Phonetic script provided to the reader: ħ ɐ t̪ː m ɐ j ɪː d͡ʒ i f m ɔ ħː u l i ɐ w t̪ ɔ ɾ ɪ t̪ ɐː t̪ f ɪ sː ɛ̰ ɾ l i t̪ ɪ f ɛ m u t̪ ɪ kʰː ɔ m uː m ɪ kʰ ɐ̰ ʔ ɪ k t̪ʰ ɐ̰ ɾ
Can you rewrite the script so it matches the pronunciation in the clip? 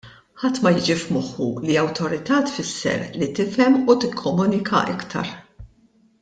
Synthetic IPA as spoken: ħ ɐ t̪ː m ɐ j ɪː d͡ʒ i f m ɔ ħː u l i ɐ w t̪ ɔ ɾ ɪ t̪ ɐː t̪ f ɪ sː ɛ̰ ɾ l i t̪ ɪ f ɛ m u t̪ ɪ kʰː ɔ m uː n ɪ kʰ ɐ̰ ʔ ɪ k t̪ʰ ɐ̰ ɾ